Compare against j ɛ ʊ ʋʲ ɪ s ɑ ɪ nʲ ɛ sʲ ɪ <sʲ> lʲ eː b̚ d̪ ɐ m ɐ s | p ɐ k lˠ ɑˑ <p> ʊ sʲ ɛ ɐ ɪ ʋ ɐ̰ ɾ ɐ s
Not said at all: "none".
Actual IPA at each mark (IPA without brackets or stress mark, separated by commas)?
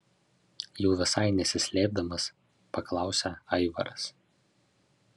sʲ, none